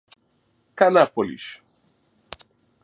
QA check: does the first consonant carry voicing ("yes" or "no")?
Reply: no